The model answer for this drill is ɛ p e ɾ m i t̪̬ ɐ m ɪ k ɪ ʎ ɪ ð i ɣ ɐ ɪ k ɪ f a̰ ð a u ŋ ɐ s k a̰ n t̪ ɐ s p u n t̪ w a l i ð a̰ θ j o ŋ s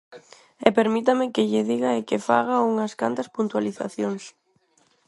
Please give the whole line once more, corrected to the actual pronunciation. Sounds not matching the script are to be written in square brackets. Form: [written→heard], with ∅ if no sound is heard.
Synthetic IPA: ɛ p e ɾ m i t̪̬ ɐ m ɪ k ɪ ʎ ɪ ð i ɣ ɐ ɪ k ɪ f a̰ [ð→ɣ] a u ŋ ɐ s k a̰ n t̪ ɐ s p u n t̪ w a l i [ð→θ] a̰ θ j o ŋ s